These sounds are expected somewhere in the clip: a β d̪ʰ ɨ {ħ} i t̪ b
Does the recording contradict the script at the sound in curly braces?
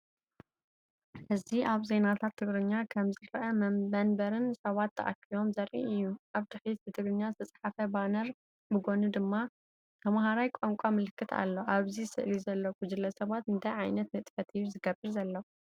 no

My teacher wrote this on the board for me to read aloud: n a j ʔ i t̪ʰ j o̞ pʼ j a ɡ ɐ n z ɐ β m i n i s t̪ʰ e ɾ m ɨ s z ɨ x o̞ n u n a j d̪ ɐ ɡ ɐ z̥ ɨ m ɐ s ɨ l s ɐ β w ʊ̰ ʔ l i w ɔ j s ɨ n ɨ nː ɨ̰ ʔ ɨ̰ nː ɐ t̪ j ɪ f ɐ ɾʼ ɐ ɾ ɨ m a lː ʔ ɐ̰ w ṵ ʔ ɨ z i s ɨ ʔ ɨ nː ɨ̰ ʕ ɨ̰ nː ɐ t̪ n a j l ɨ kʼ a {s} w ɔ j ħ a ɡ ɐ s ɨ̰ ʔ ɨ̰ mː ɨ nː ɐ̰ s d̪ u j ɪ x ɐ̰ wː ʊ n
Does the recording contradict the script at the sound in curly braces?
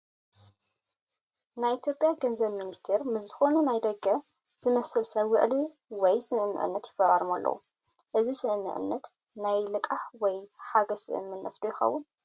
yes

